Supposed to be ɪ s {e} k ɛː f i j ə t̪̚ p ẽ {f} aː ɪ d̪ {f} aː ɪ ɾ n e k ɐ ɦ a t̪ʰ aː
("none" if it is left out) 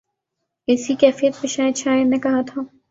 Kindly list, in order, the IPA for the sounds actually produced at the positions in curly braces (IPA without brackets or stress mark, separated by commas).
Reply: i, ʃ, ʃ